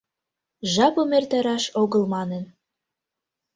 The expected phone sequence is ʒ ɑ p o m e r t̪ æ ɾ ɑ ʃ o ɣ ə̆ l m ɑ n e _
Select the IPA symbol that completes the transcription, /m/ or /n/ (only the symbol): n